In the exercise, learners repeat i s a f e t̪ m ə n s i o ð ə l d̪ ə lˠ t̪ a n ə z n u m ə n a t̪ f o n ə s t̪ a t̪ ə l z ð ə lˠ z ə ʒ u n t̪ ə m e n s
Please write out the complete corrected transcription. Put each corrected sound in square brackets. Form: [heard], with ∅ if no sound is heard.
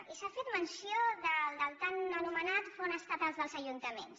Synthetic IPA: i s a f e t̪ m ə n s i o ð ə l d̪ ə lˠ t̪ a n ə [∅] n u m ə n a t̪ f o n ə s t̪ a t̪ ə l z ð ə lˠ z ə ʒ u n t̪ ə m e n s

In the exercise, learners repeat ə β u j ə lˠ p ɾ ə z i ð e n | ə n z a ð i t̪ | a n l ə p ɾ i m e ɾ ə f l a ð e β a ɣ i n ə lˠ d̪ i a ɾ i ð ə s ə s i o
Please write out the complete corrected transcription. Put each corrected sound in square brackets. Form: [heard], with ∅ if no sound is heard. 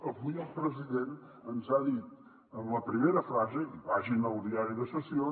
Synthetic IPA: ə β u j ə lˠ p ɾ ə z i ð e n | ə n z a ð i t̪ | [ə] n l ə p ɾ i m e ɾ ə f [ɾ] a [z] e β a [ʒ] i n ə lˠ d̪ i a ɾ i ð ə s ə s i o

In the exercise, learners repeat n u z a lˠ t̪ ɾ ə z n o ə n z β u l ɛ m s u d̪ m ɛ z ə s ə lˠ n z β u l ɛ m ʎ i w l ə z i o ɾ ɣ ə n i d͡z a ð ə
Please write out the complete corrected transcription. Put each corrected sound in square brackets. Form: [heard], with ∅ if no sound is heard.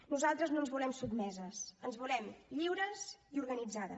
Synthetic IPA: n u z a lˠ t̪ ɾ ə z n o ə n z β u l ɛ m s u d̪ m ɛ z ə s ə [∅] n z β u l ɛ m ʎ i w [ɾ] ə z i [u] ɾ ɣ ə n i d͡z a ð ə

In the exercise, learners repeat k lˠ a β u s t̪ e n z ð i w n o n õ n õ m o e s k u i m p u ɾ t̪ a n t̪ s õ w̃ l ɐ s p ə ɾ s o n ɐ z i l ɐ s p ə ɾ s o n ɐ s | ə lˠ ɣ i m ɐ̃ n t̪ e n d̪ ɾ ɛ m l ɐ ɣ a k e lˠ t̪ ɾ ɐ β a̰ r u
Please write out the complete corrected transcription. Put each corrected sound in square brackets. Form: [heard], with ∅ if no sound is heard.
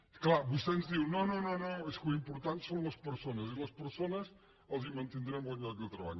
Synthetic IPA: k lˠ a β u s t̪ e n z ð i w n o n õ n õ [n] o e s k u i m p u ɾ t̪ a n t̪ s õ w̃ l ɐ s p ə ɾ s o n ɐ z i l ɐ s p ə ɾ s o n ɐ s | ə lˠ [z] i m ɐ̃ n t̪ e n d̪ ɾ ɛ m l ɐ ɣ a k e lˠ t̪ ɾ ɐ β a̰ [ʎ] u

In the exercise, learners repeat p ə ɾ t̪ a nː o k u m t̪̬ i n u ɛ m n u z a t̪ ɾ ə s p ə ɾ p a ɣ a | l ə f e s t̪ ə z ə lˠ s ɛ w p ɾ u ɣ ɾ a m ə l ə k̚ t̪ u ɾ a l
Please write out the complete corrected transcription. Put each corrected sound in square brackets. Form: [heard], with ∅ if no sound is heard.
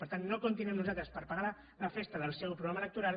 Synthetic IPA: p ə ɾ t̪ a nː o k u [n] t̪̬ i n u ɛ m n u z a t̪ ɾ ə s p ə ɾ p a ɣ a | l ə f e s t̪ ə [ð] ə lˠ s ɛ w p ɾ u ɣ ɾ a m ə l ə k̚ t̪ u ɾ a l

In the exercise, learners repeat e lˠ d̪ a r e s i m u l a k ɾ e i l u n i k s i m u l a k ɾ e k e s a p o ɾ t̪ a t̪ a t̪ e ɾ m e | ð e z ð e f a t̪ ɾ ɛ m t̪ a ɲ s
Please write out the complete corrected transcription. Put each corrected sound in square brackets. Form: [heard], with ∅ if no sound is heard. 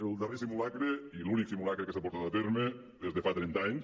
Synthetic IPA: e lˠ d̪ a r e s i m u l a k ɾ e i l u n i k s i m u l a k ɾ e k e s a p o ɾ t̪ a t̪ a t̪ e ɾ m e | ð e z ð e f a t̪ ɾ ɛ [n] t̪ a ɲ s

